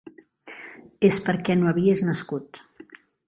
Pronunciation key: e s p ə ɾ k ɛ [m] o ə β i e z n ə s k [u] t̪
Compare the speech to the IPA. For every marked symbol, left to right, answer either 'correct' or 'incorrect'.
incorrect: n, correct

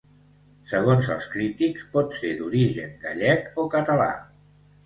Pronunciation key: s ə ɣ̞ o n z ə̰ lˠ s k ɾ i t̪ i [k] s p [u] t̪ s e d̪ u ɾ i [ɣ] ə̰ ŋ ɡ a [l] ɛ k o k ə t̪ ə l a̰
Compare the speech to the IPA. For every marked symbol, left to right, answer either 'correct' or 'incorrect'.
correct, incorrect: ɔ, incorrect: ʒ, incorrect: ʎ

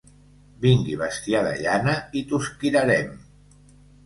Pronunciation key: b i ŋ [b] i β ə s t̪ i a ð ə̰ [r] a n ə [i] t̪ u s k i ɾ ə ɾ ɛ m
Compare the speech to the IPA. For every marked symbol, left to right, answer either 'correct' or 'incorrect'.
incorrect: ɡ, incorrect: ʎ, correct

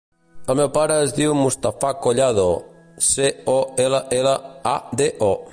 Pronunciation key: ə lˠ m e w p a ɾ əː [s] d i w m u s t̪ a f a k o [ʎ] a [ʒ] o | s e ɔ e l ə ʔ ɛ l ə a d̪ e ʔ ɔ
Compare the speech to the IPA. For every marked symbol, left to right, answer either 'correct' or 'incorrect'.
incorrect: z, correct, incorrect: ð

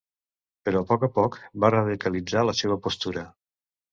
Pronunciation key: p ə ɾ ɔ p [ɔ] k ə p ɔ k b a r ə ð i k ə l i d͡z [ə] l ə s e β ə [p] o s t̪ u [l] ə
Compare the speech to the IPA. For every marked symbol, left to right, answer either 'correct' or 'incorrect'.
correct, incorrect: a, correct, incorrect: ɾ

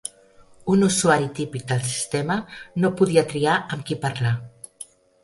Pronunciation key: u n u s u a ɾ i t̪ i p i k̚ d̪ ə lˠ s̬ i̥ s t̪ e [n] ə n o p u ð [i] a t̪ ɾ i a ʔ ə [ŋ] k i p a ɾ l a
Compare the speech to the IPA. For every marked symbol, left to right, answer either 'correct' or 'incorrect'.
incorrect: m, correct, incorrect: m

